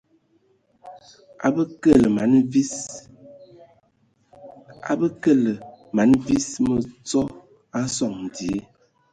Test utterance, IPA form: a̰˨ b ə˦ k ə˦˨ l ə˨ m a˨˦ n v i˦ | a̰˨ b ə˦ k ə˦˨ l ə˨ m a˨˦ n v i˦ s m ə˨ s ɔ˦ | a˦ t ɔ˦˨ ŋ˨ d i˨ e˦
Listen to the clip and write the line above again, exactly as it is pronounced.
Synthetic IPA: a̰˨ b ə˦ k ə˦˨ l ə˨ m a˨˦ n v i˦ | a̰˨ b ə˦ k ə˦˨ l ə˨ m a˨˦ n v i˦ s m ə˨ t͡s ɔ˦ | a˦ s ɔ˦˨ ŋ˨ d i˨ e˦